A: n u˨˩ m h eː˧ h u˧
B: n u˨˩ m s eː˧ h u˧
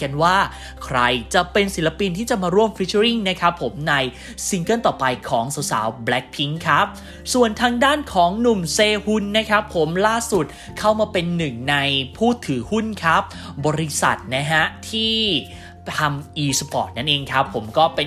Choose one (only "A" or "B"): B